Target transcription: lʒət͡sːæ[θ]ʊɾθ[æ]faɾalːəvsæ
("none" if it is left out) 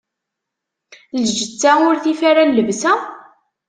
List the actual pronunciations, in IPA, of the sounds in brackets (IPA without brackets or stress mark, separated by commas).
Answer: none, i